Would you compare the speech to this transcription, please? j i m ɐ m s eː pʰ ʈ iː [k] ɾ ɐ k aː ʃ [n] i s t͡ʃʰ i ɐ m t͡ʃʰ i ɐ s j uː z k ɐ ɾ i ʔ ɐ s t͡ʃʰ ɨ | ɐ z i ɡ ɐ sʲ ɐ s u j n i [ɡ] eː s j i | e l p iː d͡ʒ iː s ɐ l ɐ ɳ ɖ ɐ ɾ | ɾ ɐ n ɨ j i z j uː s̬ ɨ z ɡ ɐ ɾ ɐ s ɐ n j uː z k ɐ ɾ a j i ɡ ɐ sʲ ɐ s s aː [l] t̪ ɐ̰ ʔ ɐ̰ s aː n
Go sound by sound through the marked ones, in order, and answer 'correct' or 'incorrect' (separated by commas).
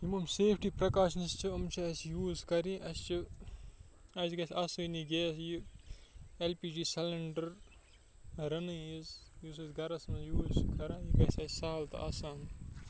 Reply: incorrect, correct, correct, correct